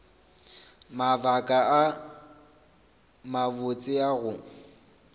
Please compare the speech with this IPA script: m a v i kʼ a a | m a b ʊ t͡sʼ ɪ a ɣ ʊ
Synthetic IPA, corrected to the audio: m a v a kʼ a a | m a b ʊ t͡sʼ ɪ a ɣ ʊ